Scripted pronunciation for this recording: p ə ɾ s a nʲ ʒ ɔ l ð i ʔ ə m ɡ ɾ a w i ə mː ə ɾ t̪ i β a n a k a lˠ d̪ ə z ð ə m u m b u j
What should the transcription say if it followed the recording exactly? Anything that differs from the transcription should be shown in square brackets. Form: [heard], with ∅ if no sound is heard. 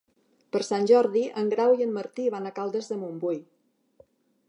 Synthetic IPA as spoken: p ə ɾ s a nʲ ʒ ɔ [ɾ] ð i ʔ ə [ŋ] ɡ ɾ a w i ə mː ə ɾ t̪ i β a n a k a lˠ d̪ ə z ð ə m u m b u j